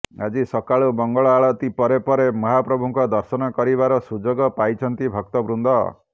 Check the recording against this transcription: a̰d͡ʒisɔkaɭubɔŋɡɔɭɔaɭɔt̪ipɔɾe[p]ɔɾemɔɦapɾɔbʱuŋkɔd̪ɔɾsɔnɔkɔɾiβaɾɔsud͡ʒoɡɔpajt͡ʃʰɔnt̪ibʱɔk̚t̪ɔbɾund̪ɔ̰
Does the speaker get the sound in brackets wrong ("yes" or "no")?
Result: no